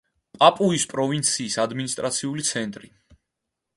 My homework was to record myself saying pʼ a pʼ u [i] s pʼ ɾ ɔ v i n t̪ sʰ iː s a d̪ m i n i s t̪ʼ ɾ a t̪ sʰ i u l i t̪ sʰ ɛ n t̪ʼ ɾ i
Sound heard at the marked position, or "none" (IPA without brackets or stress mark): i